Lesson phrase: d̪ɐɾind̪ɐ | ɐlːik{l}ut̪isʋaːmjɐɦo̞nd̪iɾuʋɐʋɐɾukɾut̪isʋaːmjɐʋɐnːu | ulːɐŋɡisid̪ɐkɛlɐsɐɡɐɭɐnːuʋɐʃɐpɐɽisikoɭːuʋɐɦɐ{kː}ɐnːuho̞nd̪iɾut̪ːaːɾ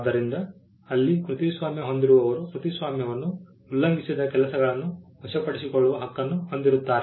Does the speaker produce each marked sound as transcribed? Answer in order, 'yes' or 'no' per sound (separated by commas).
no, yes